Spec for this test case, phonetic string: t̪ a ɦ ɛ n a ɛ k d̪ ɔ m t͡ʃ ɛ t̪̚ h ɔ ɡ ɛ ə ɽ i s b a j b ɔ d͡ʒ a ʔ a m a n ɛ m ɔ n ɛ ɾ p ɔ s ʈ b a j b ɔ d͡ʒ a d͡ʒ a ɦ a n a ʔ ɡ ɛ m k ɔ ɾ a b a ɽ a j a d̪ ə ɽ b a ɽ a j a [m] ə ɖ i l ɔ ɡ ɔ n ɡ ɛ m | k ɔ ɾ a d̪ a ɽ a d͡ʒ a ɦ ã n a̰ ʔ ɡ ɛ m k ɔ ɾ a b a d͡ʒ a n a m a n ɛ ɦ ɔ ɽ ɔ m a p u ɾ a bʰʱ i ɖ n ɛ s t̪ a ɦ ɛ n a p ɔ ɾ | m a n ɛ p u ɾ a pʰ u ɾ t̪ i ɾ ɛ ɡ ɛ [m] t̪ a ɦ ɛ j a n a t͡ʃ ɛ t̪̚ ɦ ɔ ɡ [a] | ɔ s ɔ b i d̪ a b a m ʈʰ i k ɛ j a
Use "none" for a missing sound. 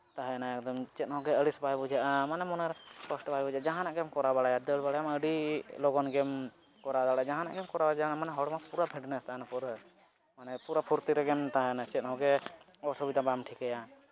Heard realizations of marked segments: m, m, ɛ

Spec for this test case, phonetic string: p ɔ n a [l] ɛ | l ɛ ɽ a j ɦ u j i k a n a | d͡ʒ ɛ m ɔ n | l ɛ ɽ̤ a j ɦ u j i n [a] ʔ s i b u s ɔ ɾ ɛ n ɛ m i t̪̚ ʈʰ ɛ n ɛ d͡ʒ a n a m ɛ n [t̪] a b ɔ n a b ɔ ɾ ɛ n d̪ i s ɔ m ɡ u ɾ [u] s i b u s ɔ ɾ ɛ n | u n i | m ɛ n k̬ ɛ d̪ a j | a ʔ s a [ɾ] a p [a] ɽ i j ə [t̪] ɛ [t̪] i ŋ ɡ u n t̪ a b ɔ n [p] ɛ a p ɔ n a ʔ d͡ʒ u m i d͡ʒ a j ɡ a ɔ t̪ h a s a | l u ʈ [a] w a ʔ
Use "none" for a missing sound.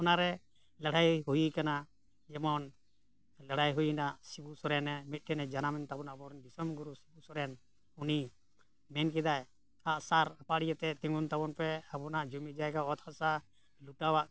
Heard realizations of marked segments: ɾ, a, t̪, u, ɾ, a, t̪, t̪, p, a

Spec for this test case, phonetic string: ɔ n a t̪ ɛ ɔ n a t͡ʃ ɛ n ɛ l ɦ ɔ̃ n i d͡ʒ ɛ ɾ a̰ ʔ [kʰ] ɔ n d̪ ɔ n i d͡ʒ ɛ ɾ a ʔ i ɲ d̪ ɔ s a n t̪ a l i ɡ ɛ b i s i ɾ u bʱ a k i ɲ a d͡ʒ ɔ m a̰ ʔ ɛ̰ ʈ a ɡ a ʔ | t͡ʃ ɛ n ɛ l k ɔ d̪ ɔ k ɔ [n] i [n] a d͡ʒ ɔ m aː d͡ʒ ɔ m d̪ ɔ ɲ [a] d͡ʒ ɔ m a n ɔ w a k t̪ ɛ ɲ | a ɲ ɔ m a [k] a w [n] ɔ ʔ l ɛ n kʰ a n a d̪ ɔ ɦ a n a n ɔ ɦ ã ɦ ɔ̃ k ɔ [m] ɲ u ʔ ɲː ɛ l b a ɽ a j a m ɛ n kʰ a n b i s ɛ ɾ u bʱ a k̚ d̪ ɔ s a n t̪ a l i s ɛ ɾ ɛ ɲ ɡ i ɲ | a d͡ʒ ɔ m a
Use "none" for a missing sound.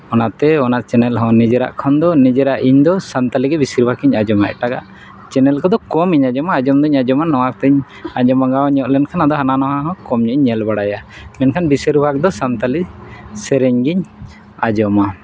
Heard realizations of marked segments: kʰ, m, ɲ, a, ɡ, ɲ, m

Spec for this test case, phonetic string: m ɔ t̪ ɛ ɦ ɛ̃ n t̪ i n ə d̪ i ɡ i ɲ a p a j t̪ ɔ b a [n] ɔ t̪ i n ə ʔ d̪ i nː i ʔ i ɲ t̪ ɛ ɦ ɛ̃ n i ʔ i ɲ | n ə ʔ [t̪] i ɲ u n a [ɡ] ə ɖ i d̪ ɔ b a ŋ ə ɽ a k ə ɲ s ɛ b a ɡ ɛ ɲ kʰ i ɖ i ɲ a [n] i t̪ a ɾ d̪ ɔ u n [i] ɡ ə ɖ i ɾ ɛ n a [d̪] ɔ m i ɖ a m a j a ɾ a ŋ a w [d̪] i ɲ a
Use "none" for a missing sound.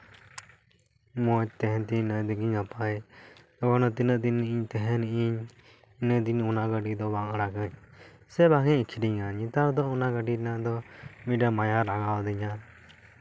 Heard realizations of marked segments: n, d̪, ɡ, ɲ, a, d̪, d̪

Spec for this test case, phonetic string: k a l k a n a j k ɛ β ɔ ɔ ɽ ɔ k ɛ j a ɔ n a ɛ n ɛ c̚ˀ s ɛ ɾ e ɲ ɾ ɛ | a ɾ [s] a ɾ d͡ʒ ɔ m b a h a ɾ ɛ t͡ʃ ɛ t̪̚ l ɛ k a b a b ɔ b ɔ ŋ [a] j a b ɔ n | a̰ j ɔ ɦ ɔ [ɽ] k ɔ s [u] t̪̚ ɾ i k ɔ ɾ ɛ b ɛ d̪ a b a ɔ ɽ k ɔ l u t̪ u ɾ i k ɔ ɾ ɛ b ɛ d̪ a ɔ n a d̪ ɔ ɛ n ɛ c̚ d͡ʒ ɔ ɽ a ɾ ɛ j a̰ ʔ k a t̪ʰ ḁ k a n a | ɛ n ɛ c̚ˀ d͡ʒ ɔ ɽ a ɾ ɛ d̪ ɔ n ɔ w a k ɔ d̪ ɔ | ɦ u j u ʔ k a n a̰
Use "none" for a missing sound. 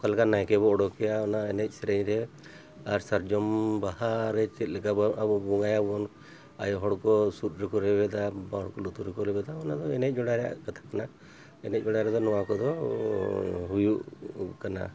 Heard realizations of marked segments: s, a, ɽ, u

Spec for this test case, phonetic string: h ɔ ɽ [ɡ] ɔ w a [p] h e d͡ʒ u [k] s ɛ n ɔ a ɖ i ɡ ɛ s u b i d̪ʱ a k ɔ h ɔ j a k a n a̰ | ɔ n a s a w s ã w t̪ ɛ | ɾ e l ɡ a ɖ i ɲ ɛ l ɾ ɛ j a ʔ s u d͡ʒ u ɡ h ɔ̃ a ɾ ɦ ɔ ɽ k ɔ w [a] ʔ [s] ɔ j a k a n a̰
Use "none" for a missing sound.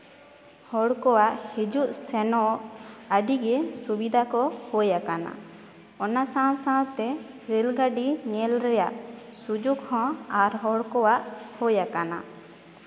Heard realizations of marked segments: k, ʔ, ʔ, a, h

